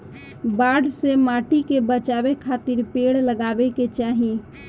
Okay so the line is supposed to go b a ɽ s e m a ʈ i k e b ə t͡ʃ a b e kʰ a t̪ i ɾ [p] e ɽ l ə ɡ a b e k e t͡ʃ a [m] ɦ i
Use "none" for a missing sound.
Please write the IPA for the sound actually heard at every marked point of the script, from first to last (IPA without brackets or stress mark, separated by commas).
p, none